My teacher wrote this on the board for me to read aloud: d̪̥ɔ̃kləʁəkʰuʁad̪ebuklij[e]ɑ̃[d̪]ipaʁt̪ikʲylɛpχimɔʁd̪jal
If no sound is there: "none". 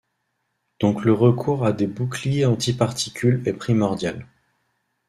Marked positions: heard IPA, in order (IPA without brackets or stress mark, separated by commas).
e, t̪